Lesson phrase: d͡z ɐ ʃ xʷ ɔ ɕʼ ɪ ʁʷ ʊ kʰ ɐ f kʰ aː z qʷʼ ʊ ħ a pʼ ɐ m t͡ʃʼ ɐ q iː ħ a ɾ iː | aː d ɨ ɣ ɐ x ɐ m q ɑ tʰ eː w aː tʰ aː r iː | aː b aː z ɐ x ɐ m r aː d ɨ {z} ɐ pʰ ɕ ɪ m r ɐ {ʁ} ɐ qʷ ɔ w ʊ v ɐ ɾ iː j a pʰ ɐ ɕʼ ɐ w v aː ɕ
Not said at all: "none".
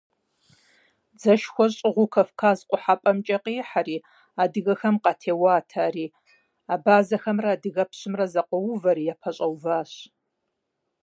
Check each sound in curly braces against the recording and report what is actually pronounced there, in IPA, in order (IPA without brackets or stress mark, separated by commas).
ɣ, z